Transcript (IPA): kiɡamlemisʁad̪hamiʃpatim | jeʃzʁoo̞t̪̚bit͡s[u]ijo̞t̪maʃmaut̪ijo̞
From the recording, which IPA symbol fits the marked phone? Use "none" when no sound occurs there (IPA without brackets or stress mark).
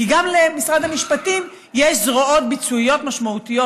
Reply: u